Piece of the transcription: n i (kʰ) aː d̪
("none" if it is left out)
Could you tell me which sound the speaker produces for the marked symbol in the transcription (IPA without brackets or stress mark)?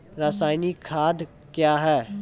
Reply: kʰ